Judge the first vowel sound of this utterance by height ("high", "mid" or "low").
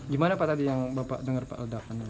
high